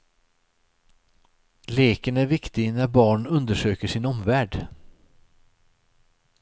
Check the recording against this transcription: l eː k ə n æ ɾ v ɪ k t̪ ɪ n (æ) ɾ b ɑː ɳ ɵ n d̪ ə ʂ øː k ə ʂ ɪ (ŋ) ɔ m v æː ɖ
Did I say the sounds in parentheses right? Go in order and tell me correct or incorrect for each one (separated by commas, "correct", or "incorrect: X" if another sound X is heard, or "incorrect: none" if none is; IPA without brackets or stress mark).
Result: correct, incorrect: n